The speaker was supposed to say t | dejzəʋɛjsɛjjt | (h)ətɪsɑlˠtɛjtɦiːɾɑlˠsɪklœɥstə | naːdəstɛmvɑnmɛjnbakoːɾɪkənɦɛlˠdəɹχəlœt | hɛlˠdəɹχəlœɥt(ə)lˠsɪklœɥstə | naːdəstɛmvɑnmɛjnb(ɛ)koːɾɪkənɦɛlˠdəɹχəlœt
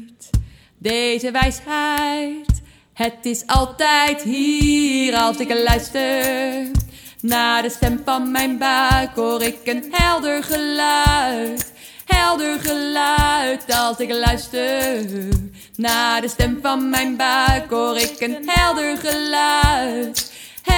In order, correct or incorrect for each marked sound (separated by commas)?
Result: correct, incorrect, incorrect